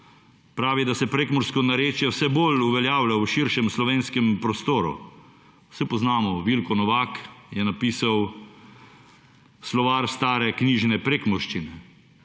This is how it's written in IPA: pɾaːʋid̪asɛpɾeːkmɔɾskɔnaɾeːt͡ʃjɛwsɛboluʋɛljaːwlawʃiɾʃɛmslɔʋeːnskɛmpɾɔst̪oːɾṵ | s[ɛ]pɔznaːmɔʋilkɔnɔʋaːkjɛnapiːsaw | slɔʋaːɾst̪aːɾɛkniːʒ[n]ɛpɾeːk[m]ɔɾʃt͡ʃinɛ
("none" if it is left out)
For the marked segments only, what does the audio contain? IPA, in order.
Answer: ɛ, n, m

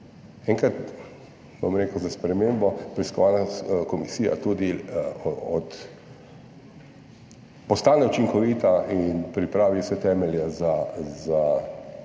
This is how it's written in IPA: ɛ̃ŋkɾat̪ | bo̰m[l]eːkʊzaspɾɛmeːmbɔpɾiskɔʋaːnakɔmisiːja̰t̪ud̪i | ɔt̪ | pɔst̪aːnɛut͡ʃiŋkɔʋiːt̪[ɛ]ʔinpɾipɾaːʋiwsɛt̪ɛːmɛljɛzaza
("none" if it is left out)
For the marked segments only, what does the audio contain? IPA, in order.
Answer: ɾ, a

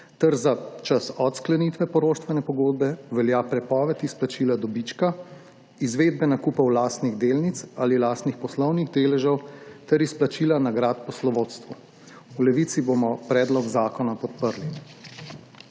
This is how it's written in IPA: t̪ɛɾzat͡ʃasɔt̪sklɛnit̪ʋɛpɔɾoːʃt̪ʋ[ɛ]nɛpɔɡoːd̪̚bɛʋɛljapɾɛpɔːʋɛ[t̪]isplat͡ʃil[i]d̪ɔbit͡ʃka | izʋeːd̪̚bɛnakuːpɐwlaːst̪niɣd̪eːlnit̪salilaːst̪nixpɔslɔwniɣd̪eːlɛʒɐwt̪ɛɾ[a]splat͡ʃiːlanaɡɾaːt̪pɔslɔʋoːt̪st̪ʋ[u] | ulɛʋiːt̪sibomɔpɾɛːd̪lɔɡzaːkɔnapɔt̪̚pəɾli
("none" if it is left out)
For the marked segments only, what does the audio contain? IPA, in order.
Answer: ɛ, t̪, a, i, u

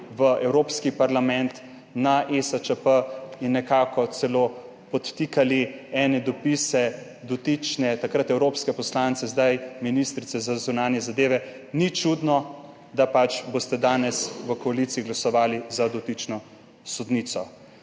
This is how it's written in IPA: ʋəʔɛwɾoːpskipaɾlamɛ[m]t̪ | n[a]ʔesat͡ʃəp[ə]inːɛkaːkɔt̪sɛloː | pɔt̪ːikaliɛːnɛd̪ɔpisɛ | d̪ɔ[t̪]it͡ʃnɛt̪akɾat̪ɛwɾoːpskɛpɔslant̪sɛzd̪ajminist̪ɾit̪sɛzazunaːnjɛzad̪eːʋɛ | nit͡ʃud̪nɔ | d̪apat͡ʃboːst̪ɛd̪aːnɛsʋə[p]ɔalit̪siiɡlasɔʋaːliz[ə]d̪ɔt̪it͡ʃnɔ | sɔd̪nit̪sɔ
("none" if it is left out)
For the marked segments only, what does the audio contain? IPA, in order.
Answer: n, a, ə, t̪, k, a

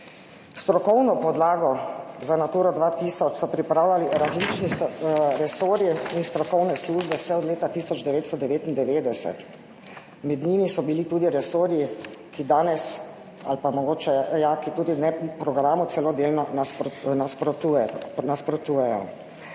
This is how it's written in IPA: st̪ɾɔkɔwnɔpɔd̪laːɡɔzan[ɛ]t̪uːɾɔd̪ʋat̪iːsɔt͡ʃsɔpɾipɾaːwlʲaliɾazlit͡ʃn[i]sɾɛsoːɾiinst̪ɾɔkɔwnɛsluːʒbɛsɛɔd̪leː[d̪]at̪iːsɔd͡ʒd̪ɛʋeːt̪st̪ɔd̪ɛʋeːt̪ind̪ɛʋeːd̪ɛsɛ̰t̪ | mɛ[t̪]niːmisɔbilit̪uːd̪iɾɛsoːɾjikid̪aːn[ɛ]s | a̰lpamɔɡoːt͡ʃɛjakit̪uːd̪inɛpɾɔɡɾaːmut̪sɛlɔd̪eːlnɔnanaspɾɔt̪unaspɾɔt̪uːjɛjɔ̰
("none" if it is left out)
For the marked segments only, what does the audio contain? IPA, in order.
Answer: a, i, t̪, d̪, ɛ

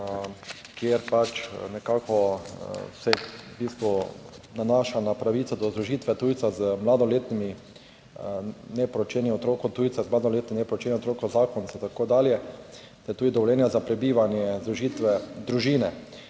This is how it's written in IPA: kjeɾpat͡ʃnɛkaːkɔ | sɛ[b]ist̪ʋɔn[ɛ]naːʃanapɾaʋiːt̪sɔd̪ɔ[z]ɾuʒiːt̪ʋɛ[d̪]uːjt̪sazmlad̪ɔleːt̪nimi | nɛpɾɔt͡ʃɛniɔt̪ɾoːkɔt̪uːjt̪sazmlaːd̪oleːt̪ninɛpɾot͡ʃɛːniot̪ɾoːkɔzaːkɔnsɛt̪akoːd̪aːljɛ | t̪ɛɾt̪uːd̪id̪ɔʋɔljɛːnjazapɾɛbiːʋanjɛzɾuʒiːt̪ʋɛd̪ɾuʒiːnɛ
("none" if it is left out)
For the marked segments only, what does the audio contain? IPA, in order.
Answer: b, a, z, t̪

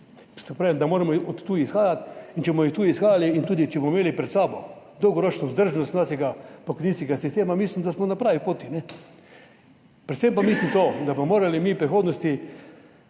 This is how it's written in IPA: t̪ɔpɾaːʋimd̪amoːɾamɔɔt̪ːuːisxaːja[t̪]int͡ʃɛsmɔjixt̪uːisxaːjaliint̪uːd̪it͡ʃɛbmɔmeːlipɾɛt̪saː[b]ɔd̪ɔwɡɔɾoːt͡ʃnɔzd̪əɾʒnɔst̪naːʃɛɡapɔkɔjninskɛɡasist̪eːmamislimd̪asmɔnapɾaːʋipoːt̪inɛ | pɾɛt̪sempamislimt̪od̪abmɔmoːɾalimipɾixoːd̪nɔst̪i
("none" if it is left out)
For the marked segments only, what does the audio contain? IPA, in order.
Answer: t̪, b

